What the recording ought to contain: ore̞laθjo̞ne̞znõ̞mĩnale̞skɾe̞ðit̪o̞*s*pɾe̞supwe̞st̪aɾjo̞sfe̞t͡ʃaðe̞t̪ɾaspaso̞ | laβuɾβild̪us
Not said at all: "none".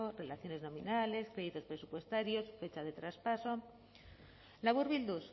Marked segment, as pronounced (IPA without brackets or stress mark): s